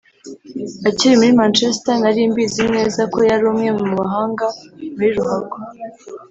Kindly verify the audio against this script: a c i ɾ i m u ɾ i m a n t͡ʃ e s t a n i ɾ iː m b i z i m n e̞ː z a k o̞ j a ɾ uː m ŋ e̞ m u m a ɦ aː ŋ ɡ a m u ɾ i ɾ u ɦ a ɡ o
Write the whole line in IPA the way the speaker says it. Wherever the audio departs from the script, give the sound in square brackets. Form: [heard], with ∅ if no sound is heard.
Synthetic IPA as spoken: a c i ɾ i m u ɾ i m a n t͡ʃ e s t a n [a] ɾ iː m b i z i m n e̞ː z a k o̞ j a ɾ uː m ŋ e̞ m u m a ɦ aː ŋ ɡ a m u ɾ i ɾ u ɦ a ɡ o

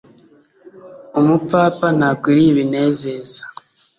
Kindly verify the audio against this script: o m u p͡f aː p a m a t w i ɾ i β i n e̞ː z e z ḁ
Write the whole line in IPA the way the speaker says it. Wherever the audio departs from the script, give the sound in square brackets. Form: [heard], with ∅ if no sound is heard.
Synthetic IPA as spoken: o m u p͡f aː p a [n] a [k] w i ɾ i β i n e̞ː z e z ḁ

